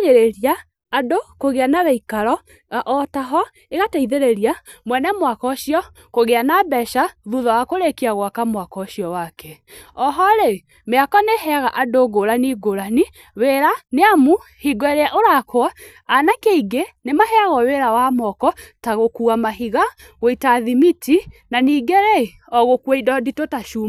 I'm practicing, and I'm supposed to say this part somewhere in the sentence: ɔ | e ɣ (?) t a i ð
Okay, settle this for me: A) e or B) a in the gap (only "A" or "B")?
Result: B